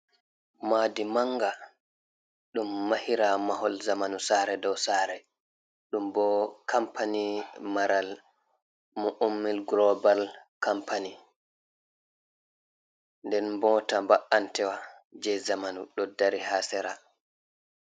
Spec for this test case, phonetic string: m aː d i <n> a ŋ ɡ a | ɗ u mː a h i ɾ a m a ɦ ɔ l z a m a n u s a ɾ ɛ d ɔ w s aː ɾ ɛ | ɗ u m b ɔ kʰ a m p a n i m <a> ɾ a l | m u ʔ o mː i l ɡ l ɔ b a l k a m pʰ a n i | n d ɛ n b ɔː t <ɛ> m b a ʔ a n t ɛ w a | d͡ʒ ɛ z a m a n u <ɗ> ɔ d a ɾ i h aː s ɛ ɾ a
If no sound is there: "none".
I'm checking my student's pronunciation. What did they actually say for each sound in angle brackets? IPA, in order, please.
m, a, a, ɗ

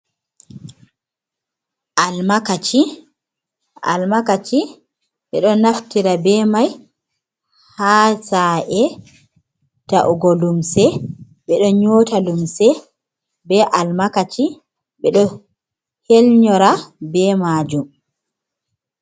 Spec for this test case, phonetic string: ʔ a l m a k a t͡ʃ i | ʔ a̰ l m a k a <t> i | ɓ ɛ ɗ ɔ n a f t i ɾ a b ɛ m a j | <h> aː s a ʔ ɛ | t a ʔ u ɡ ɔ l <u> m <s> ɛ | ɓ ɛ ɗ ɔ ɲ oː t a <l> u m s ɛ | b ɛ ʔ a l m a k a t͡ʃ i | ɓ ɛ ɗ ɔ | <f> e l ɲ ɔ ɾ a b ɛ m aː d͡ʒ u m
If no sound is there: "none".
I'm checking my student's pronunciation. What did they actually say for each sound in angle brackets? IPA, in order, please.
t͡ʃ, h, u, s, l, h

